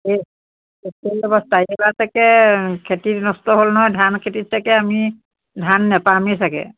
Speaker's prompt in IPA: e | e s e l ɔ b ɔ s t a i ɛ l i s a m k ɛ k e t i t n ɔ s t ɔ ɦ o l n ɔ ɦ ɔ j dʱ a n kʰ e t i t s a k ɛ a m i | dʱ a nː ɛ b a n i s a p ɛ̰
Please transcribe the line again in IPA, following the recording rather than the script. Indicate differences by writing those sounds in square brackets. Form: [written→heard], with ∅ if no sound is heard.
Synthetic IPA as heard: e | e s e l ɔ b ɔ s t a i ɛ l [i→a] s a [m→∅] k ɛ [k→kʰ] e t i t n ɔ s t ɔ ɦ o l n ɔ ɦ ɔ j dʱ a n kʰ e t i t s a k ɛ a m i | dʱ a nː ɛ [b→p] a [n→m] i s a [p→k] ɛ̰

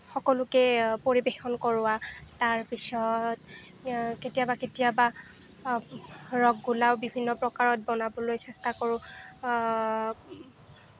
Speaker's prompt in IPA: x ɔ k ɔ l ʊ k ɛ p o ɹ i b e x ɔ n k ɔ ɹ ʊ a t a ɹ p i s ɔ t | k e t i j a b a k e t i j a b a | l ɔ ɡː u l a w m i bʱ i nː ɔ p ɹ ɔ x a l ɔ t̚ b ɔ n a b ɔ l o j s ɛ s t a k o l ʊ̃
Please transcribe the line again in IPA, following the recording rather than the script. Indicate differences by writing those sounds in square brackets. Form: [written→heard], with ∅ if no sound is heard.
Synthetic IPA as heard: x ɔ k ɔ l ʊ k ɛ p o ɹ i b e x ɔ n k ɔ ɹ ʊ a t a ɹ p i s ɔ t | k e t i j a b a k e t i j a b a | [l→ɹ] ɔ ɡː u l a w [m→b] i bʱ i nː ɔ p ɹ ɔ [x→k] a [l→ɹ] ɔ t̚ b ɔ n a b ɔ l o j s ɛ s t a k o [l→ɹ] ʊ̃

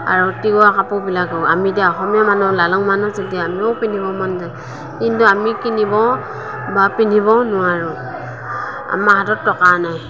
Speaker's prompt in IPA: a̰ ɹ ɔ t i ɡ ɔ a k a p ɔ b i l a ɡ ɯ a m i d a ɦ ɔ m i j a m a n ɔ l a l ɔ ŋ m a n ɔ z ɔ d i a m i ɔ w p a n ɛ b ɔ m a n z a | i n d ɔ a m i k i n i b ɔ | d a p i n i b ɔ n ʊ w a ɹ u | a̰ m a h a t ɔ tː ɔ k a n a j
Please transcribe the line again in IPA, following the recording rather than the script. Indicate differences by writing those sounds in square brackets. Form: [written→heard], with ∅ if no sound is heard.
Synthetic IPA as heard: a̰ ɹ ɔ t i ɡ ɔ a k a p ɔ b i l a ɡ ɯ a m i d a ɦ ɔ m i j a m a n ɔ l a l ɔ ŋ m a n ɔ z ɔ d i a m i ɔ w p [a→i] n [ɛ→i] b ɔ m a n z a | i n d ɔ a m i k i n i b ɔ | [d→b] a p i n i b ɔ n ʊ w a ɹ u | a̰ m a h a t ɔ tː ɔ k a n a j

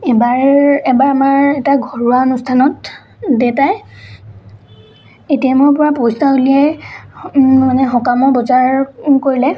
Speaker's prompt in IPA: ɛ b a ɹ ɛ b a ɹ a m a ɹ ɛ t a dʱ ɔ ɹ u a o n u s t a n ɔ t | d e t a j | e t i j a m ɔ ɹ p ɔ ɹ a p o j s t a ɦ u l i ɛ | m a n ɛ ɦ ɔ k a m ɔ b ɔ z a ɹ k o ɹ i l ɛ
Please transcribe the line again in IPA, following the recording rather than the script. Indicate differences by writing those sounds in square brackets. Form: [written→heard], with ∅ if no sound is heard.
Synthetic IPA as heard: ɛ b a ɹ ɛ b a ɹ a m a ɹ ɛ t a [dʱ→ɡʱ] ɔ ɹ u a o n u s [t→tʰ] a n ɔ t | d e t a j | e t i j a m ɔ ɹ p ɔ ɹ a p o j s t a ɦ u l i ɛ | m a n ɛ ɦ ɔ k a m ɔ b ɔ z a ɹ k o ɹ i l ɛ

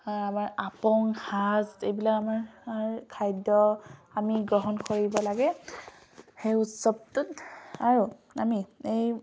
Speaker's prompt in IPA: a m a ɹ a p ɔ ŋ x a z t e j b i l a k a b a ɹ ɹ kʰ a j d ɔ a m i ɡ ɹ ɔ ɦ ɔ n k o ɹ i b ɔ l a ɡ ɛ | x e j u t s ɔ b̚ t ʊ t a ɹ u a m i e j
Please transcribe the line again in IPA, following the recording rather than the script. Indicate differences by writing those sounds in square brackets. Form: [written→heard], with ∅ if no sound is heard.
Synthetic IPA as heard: a m a ɹ a p ɔ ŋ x a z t e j b i l a k a [b→m] a ɹ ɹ kʰ a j d ɔ a m i ɡ ɹ ɔ ɦ ɔ n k o ɹ i b ɔ l a ɡ ɛ | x e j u t s ɔ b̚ t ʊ t a ɹ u a m i e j

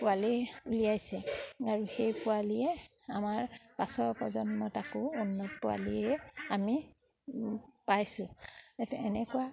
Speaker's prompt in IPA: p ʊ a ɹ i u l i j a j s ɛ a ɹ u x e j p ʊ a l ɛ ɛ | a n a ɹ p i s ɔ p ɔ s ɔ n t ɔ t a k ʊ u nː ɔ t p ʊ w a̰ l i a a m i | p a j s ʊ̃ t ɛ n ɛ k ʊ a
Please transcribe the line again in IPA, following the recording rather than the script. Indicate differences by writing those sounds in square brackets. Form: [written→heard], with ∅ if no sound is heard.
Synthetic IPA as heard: p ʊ a [ɹ→l] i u l i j a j s ɛ a ɹ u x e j p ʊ a l [ɛ→i] ɛ | a [n→m] a ɹ p [i→a] s ɔ p ɔ [s→z] ɔ n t ɔ t a k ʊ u nː ɔ t p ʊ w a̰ l i [a→ɛ] a m i | p a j s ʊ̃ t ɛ n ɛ k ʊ a

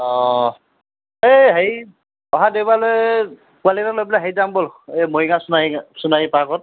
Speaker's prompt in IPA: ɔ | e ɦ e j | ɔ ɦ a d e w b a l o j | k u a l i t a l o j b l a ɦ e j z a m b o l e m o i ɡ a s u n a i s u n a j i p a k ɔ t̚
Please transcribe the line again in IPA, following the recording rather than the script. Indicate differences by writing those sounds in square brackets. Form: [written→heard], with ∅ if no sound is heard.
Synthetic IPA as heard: ɔ | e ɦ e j | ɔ ɦ a d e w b a l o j | k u a l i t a l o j b l a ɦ e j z a m b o l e m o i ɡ a s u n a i s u n a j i p a k ɔ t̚

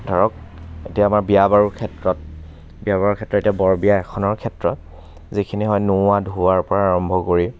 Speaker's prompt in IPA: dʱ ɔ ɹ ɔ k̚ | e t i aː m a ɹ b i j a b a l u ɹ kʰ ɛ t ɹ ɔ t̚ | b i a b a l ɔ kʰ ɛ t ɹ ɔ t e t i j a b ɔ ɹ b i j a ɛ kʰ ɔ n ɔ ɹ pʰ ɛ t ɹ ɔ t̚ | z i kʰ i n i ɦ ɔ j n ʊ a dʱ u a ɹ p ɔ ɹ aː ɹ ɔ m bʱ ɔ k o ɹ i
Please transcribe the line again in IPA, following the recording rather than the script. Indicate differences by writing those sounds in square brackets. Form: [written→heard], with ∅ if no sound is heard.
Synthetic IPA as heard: dʱ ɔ ɹ ɔ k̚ | e t i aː m a ɹ b i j a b a [l→ɹ] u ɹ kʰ ɛ t ɹ ɔ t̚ | b i a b a [l→ɹ] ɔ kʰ ɛ t ɹ ɔ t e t i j a b ɔ ɹ b i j a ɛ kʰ ɔ n ɔ ɹ [pʰ→kʰ] ɛ t ɹ ɔ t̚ | z i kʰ i n i ɦ ɔ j n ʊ a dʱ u a ɹ p ɔ ɹ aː ɹ ɔ m bʱ ɔ k o ɹ i

